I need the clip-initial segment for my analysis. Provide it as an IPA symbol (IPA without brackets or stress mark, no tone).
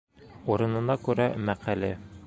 u